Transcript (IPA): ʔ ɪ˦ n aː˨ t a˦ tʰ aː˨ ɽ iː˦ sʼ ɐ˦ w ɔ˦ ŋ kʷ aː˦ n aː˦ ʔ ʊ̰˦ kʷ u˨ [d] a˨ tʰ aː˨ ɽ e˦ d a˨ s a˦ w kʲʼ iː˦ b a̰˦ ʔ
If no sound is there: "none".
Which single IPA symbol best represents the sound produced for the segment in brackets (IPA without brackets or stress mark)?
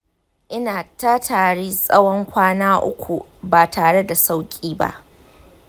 b